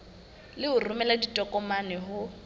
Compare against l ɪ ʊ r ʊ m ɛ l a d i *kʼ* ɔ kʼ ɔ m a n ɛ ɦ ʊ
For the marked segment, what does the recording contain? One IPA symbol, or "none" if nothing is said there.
tʼ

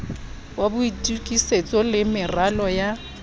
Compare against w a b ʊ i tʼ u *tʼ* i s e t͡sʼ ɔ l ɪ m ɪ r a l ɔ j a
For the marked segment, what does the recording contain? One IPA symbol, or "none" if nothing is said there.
kʼ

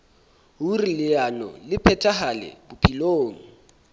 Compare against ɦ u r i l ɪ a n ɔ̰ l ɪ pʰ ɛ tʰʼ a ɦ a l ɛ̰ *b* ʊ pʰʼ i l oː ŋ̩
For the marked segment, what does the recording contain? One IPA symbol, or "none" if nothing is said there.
b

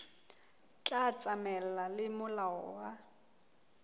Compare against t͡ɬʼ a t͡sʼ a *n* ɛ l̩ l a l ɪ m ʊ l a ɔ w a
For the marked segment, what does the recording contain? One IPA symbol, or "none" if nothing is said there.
m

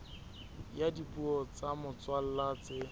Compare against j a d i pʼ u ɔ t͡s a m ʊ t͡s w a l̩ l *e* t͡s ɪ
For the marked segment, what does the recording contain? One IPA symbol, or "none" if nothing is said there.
a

